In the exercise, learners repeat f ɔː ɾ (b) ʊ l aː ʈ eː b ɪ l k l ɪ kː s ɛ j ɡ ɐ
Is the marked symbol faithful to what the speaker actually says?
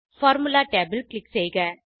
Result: no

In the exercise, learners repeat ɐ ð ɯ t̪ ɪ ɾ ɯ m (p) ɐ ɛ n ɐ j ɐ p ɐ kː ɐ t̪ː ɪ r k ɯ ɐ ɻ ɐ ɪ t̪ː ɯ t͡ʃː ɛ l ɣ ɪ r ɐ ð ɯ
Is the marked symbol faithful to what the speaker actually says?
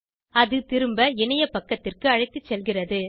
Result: no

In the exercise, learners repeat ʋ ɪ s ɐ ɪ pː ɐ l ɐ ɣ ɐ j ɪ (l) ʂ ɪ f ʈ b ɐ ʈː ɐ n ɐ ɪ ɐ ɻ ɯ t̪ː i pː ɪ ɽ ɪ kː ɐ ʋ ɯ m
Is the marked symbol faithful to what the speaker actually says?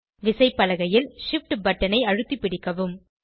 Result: yes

